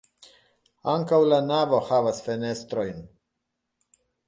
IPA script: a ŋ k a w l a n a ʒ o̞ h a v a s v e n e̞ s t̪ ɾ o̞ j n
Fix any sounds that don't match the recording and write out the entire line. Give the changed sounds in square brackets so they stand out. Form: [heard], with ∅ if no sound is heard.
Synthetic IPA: a ŋ k a w l a n a [v] o̞ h a v a s [f] e n e̞ s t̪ ɾ o̞ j n